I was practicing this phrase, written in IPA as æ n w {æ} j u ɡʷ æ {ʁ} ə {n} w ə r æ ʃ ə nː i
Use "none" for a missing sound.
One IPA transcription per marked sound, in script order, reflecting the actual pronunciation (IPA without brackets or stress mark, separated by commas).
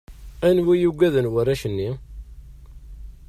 i, ð, n